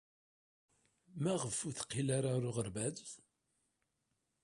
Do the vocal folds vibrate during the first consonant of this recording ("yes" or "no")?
yes